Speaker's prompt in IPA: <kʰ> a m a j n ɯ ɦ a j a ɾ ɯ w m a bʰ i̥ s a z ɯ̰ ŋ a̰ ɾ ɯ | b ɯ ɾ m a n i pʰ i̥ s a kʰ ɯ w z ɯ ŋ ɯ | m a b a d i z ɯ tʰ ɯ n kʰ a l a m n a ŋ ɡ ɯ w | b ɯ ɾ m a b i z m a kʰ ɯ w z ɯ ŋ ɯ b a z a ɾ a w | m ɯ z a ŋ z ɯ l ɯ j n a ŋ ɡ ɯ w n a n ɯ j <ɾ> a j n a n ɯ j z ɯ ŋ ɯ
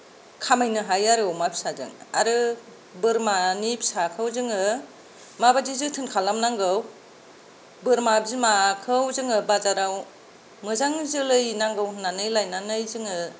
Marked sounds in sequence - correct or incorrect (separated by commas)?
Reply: correct, incorrect